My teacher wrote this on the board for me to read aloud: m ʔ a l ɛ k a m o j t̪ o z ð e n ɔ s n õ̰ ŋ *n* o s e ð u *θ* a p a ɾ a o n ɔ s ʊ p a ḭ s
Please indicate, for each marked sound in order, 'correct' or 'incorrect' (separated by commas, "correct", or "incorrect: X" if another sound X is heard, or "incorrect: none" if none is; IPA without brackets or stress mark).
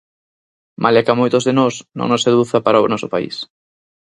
correct, correct